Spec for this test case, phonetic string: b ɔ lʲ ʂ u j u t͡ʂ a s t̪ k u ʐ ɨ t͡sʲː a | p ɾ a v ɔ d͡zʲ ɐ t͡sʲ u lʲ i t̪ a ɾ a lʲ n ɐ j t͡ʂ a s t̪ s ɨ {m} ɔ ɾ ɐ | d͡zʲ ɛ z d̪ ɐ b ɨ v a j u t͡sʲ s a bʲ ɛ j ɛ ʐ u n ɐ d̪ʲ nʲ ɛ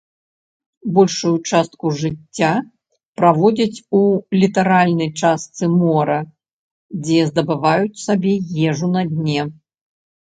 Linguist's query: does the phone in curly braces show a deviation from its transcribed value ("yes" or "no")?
no